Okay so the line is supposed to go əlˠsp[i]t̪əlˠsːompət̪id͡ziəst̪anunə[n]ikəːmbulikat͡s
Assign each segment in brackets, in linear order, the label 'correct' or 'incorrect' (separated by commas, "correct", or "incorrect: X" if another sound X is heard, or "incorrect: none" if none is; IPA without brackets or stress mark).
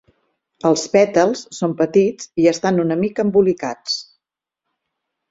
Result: incorrect: ɛ, incorrect: m